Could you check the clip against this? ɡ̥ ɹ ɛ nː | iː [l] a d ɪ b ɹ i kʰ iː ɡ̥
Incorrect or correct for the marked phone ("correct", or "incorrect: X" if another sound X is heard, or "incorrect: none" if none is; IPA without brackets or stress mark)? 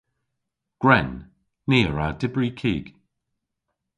incorrect: ɹ